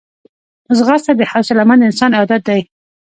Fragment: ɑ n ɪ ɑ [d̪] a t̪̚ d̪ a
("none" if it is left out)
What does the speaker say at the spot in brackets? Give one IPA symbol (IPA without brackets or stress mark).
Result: d̪